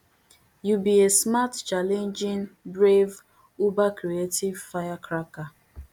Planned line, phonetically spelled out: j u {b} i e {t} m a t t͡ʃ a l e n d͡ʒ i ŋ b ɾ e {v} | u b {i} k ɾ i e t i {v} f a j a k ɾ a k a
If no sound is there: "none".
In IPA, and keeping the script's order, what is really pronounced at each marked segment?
b, s, v, a, v

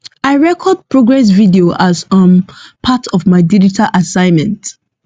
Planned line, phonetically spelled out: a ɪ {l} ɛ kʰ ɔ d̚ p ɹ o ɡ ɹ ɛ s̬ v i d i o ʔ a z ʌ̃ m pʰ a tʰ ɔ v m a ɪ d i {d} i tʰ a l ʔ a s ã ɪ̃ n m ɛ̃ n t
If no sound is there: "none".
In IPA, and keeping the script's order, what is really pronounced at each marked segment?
ɹ, d͡ʒ

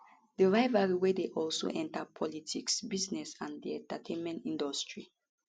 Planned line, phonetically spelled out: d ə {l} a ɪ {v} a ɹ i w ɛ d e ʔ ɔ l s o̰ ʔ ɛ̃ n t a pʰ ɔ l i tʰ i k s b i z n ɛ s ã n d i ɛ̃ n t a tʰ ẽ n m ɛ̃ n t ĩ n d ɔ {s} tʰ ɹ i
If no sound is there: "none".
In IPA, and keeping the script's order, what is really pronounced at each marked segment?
ɹ, v, s

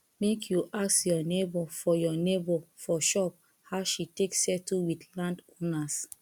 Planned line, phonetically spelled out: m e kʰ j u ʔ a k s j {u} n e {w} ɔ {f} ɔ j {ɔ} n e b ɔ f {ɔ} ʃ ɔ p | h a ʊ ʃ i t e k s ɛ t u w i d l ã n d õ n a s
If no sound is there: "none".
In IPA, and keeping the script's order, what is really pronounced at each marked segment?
ɔ, b, f, ɔ, ɔ

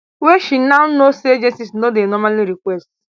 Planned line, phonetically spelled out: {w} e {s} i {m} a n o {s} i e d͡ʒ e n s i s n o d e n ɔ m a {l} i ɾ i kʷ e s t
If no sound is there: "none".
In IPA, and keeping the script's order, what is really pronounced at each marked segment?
w, ʃ, n, s, l

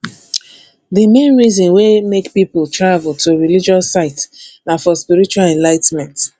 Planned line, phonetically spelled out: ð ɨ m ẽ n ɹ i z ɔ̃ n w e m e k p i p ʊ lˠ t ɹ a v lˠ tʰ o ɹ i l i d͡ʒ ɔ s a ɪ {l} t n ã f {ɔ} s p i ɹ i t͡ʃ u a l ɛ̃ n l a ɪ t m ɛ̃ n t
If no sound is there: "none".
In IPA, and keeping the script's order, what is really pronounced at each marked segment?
none, ɔ

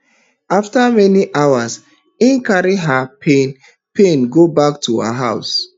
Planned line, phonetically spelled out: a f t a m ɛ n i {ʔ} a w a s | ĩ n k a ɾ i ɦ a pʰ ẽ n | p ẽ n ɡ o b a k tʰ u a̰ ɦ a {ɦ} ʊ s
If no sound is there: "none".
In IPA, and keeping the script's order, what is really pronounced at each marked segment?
ʔ, none

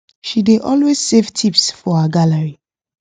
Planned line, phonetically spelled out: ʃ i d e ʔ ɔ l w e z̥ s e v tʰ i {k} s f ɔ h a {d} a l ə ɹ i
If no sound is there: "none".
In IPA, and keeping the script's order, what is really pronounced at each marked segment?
p, ɡ

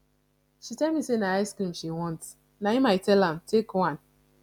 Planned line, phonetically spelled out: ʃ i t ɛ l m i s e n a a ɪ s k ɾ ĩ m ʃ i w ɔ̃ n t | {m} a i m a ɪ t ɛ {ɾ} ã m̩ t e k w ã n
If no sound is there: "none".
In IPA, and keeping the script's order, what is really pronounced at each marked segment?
n, l

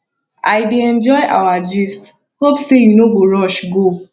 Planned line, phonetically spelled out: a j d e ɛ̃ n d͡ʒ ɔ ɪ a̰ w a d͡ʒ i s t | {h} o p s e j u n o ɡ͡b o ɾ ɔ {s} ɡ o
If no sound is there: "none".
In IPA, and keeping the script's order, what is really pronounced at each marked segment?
h, ʃ

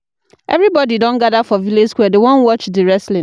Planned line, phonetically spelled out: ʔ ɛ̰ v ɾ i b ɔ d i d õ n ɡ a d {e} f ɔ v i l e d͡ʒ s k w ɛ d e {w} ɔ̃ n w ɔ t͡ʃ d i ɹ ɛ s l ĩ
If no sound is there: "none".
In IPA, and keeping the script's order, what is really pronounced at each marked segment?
a, w

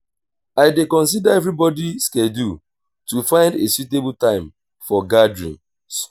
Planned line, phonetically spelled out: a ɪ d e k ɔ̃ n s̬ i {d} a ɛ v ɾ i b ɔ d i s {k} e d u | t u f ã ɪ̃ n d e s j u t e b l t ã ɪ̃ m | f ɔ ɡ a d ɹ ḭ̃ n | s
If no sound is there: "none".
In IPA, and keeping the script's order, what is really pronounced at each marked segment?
d, k

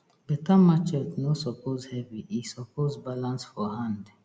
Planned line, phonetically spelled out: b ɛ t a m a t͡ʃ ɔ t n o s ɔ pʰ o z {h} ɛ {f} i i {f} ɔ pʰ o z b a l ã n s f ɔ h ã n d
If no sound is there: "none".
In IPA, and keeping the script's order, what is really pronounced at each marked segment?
h, v, s

